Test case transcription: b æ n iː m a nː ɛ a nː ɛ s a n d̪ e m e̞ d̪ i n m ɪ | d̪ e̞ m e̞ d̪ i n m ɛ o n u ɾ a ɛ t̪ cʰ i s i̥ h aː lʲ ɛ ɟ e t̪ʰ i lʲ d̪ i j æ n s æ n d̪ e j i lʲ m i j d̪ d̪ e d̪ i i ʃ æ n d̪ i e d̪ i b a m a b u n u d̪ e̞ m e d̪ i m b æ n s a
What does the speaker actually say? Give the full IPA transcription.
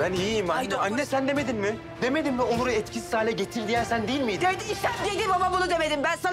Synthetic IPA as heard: b æ n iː m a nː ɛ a nː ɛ s æ n d̪ e m e̞ d̪ i n m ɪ | d̪ e̞ m e̞ d̪ i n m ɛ o n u ɾ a ɛ t̪ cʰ i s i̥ s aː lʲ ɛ ɟ e t̪ʰ i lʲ d̪ i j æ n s æ n d̪ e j i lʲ m i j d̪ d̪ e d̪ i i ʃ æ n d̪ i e d̪ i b a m a b u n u d̪ e̞ m e d̪ i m b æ n s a